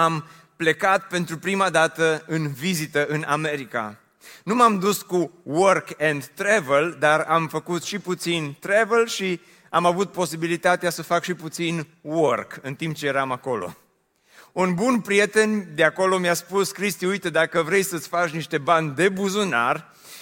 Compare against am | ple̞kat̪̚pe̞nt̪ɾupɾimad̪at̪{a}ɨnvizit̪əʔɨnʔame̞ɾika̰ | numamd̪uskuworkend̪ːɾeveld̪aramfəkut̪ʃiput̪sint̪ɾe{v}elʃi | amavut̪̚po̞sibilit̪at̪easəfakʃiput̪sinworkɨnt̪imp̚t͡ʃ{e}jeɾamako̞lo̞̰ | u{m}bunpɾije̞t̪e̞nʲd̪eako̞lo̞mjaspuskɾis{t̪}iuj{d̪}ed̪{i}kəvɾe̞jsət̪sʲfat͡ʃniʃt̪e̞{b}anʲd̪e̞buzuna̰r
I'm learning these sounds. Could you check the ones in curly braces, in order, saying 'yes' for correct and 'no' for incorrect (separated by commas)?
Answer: no, yes, yes, no, yes, no, no, yes